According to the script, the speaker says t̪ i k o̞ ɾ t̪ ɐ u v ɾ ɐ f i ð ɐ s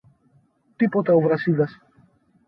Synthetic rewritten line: t̪ i p o̞ t̪ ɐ o v ɾ ɐ s i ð ɐ s